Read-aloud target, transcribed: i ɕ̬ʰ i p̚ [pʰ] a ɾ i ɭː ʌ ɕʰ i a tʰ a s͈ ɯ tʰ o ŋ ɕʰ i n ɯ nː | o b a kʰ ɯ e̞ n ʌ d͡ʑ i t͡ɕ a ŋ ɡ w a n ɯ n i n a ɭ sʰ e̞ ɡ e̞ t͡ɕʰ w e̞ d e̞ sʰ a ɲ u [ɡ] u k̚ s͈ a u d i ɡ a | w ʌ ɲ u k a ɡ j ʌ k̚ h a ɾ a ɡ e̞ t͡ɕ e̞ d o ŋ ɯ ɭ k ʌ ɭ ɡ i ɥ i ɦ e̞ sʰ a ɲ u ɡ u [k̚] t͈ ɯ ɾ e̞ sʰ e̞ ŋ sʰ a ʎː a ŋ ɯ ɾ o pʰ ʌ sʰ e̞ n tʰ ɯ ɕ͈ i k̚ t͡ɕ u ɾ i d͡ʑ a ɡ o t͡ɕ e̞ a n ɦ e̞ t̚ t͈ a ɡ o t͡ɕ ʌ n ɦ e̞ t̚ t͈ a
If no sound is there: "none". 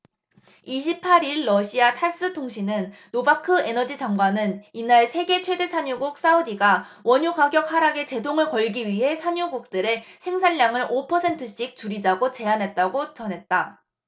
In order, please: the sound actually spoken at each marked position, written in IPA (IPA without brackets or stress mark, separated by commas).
pʰ, ɡ, k̚